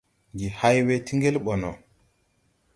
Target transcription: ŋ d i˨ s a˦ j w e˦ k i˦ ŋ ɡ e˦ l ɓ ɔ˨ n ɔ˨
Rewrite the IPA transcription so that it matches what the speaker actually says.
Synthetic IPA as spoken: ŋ ɡ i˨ h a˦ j w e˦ t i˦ ŋ ɡ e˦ l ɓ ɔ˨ n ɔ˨